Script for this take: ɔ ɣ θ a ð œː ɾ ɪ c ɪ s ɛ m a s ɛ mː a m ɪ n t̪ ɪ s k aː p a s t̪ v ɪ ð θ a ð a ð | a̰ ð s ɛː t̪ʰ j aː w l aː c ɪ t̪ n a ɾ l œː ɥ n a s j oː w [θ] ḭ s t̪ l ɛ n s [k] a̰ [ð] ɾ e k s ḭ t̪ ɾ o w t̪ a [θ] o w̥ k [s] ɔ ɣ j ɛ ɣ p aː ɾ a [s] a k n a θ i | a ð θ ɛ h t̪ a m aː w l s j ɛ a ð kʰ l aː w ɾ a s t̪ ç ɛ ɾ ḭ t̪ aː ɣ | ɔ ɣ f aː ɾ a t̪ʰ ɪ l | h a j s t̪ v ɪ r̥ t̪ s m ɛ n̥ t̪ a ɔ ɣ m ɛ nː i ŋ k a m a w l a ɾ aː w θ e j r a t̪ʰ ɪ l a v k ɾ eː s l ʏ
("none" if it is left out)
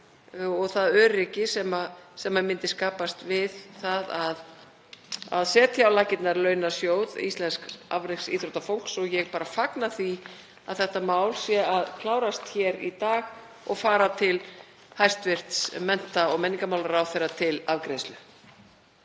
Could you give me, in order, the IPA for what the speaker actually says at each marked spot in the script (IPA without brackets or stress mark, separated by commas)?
ð, k, v, f, s, f